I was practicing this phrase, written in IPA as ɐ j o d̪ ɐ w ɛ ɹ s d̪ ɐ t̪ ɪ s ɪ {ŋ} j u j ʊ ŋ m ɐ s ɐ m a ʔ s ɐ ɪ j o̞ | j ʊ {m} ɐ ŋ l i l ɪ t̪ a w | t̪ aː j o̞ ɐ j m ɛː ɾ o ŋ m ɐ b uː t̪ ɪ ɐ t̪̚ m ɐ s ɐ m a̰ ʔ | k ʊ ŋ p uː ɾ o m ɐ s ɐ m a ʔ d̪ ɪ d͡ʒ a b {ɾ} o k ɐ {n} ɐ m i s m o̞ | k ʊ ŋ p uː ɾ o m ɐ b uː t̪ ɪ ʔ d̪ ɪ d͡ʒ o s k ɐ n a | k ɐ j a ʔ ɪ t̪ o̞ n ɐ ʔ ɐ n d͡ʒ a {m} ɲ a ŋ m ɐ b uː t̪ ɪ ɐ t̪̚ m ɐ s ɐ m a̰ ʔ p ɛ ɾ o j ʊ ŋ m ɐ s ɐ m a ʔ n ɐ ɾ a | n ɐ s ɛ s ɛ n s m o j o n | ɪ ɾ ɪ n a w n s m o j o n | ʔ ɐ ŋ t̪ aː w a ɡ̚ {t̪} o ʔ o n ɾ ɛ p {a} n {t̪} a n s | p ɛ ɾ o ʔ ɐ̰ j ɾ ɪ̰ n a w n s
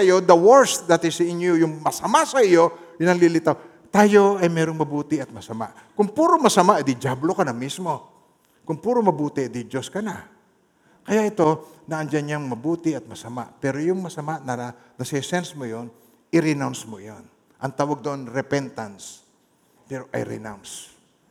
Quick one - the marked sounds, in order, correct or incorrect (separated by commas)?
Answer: incorrect, incorrect, incorrect, correct, incorrect, incorrect, incorrect, correct